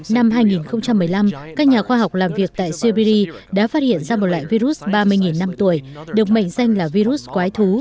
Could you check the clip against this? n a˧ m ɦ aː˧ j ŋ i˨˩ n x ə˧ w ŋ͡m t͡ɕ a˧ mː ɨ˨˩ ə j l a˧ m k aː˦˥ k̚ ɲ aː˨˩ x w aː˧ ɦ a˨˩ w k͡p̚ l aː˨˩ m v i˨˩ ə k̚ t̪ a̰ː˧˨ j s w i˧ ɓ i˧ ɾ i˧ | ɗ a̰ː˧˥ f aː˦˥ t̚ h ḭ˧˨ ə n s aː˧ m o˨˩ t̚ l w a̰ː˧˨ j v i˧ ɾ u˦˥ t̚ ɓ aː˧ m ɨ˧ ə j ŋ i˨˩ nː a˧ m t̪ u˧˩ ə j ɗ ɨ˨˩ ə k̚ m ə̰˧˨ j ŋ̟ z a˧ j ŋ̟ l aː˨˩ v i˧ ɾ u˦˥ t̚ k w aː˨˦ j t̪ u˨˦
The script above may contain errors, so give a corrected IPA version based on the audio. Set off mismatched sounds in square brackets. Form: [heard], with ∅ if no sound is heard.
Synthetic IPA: n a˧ m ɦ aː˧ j ŋ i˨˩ n x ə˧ w ŋ͡m t͡ɕ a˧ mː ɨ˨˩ ə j l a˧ m k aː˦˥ k̚ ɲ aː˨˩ x w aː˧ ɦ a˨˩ w k͡p̚ l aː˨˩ m v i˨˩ ə k̚ t̪ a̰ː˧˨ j s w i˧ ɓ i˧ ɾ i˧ | ɗ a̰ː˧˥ f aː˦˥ t̚ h ḭ˧˨ ə n [z] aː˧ m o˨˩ t̚ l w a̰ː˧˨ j v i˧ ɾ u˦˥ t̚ ɓ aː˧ m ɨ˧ ə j ŋ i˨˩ nː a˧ m t̪ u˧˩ ə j ɗ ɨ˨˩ ə k̚ m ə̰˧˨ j ŋ̟ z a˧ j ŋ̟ l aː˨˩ v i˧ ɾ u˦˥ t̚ k w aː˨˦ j [t̪ʰ] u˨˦